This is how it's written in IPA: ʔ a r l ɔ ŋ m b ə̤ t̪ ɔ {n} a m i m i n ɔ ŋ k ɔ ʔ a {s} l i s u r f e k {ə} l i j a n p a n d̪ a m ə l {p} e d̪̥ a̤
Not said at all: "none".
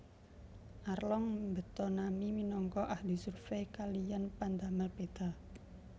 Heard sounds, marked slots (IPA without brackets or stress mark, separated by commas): n, h, a, p